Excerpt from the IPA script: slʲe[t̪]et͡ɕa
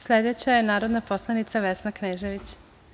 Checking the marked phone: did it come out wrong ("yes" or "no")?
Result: yes